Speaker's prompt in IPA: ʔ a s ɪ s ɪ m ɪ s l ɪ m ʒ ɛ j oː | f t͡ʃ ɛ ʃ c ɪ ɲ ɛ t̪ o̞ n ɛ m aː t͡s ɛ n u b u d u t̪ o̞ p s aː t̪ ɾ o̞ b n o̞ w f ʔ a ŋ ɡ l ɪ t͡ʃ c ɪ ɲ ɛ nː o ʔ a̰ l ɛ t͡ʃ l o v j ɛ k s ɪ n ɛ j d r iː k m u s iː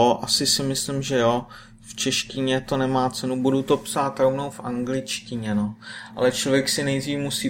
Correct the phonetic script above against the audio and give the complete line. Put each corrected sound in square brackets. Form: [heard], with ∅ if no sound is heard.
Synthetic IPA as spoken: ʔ a s ɪ s ɪ m ɪ s l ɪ m ʒ ɛ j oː | f t͡ʃ ɛ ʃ c ɪ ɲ ɛ t̪ o̞ n ɛ m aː t͡s ɛ n u b u d u t̪ o̞ p s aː t̪ ɾ o̞ [v] n o̞ w f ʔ a ŋ ɡ l ɪ t͡ʃ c ɪ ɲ ɛ [n] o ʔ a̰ l ɛ t͡ʃ l o v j ɛ k s ɪ n ɛ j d r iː [∅] m u s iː